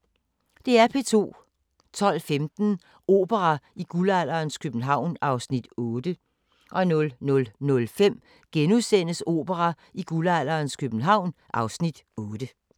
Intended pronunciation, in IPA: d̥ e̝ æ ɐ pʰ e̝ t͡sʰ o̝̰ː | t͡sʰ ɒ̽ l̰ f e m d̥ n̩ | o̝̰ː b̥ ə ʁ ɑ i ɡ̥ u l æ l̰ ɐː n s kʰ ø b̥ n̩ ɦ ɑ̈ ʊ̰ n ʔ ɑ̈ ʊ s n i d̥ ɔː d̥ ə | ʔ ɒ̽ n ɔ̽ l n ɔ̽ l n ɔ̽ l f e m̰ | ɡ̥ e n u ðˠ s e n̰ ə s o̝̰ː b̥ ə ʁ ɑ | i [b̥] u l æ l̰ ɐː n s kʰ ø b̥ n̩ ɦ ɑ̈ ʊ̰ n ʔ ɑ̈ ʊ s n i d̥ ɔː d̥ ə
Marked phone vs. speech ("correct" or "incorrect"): incorrect